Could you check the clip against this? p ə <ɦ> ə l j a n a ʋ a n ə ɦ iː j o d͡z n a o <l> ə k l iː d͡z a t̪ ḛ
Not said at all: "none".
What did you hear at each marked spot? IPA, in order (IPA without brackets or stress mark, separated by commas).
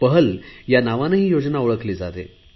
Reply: ɦ, ɭ